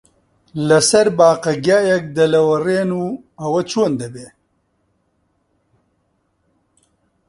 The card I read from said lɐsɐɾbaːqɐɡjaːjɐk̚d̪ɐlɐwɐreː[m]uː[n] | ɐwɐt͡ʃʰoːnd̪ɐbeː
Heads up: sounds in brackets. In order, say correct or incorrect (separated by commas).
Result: incorrect, incorrect